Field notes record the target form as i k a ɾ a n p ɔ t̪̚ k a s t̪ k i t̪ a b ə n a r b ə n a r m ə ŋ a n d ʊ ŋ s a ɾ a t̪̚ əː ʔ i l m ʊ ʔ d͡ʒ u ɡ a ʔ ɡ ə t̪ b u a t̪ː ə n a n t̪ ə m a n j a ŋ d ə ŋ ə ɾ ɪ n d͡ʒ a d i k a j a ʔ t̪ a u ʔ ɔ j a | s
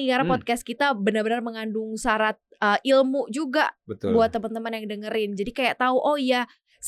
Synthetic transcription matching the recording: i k a ɾ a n p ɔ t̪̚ k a s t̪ k i t̪ a b ə n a r b ə n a r m ə ŋ a n d ʊ ŋ s a ɾ a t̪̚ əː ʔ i l m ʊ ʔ d͡ʒ u ɡ a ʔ b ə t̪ b u a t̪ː ə m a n t̪ ə m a n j a ŋ d ə ŋ ə ɾ ɪ n d͡ʒ a d i k a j a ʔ t̪ a u ʔ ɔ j a | s